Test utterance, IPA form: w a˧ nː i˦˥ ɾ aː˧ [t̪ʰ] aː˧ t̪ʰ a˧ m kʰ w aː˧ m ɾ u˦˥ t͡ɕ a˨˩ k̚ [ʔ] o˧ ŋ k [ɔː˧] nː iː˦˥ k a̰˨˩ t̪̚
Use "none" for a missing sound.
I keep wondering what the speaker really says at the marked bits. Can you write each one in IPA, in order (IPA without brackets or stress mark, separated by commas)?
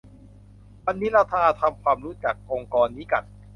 t̪ʰ, ʔ, ɔː˧